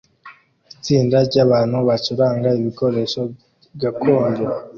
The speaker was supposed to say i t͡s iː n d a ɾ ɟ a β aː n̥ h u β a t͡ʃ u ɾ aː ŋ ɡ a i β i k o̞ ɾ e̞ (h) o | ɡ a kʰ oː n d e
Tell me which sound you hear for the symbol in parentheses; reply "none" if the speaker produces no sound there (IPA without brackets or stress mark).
ʃ